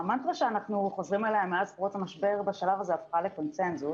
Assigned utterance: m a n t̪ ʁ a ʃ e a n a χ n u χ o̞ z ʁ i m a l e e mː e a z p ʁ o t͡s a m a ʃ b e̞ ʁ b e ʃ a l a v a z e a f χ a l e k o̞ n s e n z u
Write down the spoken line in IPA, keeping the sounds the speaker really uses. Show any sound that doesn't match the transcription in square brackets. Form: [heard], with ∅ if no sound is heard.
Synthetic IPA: m a n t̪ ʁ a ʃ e a n a χ n u χ o̞ z ʁ i m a l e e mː e a z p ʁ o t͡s a m a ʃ b e̞ ʁ b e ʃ a l a v a z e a f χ a l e k o̞ n s e n z u